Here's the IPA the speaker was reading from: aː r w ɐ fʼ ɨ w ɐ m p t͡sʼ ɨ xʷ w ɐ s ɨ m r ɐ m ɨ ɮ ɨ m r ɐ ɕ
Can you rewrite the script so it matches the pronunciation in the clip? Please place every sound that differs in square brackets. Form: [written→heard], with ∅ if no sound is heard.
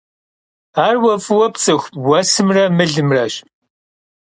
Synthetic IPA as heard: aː r w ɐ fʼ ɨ w ɐ [m→∅] p t͡sʼ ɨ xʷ w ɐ s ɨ m r ɐ m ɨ ɮ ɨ m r ɐ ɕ